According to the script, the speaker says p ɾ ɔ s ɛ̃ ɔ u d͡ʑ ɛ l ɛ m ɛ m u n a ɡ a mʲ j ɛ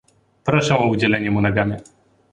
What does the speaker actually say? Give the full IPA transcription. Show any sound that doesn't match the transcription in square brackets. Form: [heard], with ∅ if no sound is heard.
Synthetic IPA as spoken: p ɾ ɔ [ʂ] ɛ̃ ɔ u d͡ʑ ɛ l ɛ [ɲ] ɛ m u n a ɡ a mʲ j ɛ